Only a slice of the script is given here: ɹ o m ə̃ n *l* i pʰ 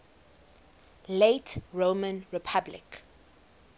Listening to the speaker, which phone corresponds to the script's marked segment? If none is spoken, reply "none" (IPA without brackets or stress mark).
ɹ